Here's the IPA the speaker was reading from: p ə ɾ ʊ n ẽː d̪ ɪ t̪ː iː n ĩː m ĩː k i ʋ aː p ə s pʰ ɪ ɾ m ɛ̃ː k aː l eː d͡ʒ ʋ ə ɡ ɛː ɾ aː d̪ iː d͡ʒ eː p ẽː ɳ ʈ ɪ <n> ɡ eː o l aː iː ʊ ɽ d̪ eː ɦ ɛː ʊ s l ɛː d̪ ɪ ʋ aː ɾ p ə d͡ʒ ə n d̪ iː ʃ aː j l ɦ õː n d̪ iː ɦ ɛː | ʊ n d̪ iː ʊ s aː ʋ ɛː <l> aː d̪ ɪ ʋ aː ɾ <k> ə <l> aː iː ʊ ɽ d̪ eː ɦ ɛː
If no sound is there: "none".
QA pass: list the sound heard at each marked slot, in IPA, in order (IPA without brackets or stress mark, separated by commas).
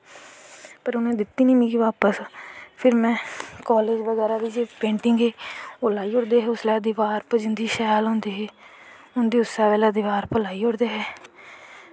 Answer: ŋ, l, p, l